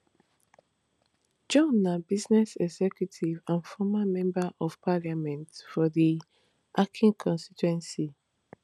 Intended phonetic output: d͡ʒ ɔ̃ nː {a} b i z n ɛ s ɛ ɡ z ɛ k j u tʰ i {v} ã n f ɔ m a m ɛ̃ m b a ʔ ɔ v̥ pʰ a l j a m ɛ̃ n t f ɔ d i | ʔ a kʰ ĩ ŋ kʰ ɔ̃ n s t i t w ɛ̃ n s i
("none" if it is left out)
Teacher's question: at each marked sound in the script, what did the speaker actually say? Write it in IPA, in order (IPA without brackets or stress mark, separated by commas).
a, v